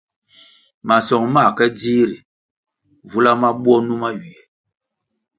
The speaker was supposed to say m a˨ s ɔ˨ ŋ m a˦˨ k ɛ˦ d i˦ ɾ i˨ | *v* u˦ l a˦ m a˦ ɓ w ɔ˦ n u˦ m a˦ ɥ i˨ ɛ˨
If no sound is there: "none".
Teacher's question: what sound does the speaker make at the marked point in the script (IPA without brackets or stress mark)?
v